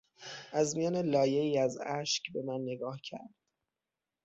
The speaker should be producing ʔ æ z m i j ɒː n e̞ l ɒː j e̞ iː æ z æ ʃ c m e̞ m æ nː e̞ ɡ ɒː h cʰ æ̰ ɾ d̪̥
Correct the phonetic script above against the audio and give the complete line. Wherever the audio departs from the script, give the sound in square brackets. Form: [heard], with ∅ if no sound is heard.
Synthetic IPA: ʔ æ z m i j ɒː n e̞ l ɒː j e̞ iː æ z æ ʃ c [b] e̞ m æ nː e̞ ɡ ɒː h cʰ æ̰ ɾ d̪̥